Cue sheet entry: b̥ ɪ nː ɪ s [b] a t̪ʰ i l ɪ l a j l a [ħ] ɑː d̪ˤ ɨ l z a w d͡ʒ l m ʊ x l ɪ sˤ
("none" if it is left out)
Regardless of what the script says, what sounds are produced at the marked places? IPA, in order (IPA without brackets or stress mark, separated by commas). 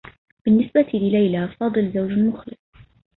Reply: b, f